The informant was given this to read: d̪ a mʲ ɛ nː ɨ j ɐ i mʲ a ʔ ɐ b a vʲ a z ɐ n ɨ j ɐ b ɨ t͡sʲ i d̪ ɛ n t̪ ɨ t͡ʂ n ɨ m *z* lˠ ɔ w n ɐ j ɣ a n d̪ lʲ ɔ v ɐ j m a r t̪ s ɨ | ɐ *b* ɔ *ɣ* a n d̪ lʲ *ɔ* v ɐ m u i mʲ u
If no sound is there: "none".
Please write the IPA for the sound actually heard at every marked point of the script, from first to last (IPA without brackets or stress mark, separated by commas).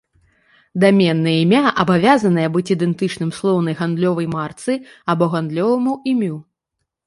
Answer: s, b, ɣ, ɔ